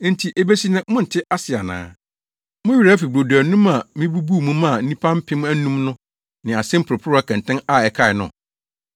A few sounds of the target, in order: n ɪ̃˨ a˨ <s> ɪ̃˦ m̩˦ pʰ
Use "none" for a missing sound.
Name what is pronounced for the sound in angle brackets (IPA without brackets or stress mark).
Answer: s